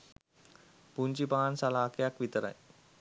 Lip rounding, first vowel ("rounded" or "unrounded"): rounded